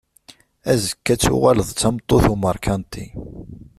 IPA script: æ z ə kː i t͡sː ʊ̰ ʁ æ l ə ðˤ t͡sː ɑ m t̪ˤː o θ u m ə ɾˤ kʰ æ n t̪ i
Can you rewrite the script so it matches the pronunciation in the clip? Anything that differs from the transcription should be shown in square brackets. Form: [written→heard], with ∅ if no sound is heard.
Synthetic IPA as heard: æ z ə kː [i→æ] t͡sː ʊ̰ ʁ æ l ə ðˤ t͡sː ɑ m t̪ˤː o θ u m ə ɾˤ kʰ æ n t̪ i